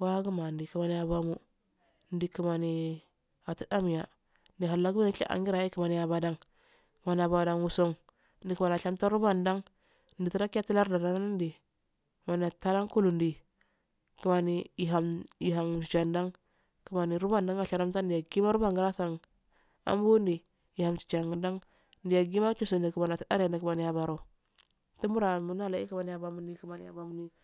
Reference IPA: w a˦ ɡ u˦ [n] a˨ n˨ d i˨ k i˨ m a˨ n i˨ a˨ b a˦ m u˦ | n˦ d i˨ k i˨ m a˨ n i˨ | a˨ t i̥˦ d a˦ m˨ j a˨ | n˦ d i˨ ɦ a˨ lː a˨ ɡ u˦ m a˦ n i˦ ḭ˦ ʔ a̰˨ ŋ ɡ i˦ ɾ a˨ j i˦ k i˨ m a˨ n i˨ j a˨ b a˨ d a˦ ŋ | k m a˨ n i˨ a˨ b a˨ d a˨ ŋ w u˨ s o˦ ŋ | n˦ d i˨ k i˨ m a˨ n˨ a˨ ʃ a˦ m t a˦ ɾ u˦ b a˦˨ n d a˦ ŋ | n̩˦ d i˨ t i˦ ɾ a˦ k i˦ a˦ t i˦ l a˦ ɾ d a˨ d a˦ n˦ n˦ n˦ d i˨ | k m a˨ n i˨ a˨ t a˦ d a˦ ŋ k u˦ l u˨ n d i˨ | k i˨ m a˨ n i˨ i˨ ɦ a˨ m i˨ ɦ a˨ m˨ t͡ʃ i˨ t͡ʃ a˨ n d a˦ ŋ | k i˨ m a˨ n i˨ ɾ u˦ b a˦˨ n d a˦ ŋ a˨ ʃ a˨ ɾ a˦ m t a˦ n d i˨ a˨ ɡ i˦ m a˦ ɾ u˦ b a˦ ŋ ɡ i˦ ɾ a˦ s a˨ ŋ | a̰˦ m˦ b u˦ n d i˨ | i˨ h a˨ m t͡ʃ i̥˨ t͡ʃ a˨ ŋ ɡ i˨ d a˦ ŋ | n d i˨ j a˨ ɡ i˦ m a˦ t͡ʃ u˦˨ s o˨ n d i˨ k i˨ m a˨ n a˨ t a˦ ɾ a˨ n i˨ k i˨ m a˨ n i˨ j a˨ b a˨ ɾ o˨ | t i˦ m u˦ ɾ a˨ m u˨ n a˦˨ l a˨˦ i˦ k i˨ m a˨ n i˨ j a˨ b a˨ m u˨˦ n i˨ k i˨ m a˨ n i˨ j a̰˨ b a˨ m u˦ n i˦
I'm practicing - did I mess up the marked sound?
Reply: yes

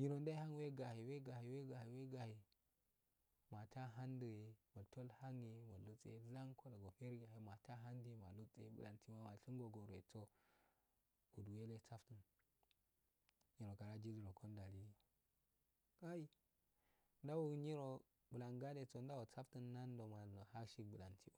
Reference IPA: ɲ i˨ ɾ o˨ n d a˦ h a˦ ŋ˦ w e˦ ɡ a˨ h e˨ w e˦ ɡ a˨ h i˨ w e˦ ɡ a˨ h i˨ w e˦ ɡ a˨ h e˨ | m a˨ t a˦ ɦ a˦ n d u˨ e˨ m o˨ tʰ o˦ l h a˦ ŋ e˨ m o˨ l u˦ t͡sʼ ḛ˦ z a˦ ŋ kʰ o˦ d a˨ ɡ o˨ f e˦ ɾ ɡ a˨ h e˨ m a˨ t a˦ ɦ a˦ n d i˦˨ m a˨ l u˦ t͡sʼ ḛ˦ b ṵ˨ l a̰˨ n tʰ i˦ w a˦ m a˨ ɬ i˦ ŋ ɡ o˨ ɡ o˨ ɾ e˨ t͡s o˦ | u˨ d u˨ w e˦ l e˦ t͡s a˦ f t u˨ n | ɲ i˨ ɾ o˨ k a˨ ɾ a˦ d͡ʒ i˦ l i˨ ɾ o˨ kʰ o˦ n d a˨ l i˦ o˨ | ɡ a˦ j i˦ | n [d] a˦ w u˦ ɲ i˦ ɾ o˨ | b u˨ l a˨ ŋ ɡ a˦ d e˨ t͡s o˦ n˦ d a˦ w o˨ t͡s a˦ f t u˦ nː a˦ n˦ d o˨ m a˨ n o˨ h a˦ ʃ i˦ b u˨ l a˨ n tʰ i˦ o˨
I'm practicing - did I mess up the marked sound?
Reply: no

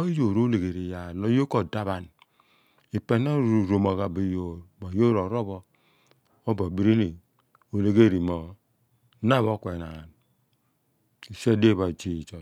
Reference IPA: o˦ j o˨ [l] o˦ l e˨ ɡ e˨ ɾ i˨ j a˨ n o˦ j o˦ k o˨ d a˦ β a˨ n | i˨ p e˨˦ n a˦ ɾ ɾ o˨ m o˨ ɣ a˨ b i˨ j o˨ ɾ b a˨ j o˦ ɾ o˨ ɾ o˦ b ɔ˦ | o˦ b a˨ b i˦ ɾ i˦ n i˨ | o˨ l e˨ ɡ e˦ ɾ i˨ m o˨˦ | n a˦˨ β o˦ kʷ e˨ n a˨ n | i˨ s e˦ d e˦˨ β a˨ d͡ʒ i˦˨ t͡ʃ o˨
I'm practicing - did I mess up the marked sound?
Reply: yes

